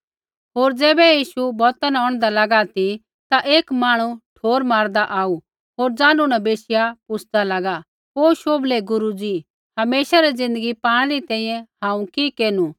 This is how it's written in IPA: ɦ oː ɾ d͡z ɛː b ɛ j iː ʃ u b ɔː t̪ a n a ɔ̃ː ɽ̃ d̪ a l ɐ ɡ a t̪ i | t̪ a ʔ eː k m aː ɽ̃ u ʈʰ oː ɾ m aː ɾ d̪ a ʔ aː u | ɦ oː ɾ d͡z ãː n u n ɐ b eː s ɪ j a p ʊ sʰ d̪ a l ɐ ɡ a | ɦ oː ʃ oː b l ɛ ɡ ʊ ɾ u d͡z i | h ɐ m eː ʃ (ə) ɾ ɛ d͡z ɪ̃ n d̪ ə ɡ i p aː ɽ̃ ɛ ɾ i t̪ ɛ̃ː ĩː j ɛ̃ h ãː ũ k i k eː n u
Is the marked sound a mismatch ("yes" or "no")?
yes